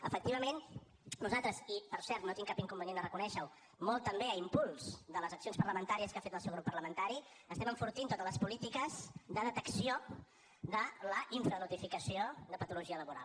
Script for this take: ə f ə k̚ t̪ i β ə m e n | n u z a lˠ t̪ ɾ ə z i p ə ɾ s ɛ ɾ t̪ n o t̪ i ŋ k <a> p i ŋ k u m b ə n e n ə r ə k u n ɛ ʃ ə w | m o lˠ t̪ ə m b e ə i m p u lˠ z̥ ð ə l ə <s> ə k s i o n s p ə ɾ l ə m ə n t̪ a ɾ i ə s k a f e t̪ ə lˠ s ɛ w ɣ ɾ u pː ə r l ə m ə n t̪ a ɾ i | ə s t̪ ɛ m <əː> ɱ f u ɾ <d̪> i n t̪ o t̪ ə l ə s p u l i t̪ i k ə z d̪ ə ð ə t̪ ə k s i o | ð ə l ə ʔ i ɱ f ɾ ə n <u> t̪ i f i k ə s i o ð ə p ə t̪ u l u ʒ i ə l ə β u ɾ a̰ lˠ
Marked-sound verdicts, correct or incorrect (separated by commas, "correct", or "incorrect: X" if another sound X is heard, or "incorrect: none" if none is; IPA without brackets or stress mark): correct, incorrect: z, incorrect: ə, incorrect: t̪, correct